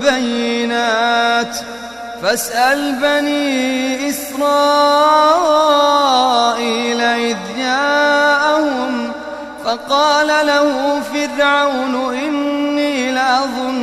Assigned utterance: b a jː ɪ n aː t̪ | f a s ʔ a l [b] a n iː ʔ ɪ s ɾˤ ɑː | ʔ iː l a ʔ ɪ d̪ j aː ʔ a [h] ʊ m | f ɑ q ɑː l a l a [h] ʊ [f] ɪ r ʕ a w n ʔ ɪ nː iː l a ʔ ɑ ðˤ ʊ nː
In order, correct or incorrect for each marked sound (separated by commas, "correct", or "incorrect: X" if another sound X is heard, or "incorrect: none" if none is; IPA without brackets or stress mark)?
correct, correct, correct, correct